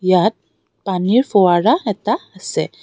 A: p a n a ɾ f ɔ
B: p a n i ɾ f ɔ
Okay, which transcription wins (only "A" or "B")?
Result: B